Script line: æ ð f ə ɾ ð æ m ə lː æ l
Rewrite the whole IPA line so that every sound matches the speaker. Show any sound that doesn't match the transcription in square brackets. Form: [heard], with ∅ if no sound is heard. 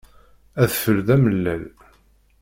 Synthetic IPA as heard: æ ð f ə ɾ ð æ m ə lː æ l